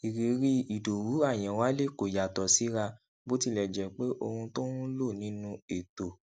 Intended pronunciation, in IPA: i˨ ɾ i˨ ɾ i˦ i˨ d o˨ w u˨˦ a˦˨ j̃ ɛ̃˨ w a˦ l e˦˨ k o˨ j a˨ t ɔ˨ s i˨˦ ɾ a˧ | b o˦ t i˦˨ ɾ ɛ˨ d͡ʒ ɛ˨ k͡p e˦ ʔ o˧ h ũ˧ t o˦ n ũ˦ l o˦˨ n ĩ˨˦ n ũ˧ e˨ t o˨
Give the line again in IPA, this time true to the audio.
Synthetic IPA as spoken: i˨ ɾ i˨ ɾ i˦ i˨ d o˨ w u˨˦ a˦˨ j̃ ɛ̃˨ w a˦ l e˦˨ k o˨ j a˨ t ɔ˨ s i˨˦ ɾ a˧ | b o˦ t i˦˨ l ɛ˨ d͡ʒ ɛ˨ k͡p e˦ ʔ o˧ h ũ˧ t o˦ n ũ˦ l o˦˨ n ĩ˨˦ n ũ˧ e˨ t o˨